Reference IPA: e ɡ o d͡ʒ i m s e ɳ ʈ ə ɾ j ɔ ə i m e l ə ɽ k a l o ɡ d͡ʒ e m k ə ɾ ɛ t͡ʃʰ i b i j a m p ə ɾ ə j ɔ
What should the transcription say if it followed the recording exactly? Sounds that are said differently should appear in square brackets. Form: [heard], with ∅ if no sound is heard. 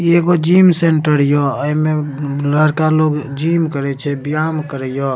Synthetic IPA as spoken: e ɡ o d͡ʒ i m s e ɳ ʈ ə ɾ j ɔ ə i m e l ə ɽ k a l o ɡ d͡ʒ [i] m k ə ɾ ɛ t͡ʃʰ [ɛ] b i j a m [k] ə ɾ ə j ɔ